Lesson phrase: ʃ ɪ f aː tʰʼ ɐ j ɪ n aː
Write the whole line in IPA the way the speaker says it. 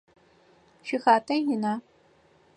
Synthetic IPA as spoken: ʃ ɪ x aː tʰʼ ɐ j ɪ n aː